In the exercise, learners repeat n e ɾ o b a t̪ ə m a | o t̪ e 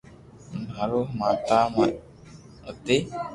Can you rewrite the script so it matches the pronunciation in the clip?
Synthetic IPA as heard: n a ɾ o m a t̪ a m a | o t̪ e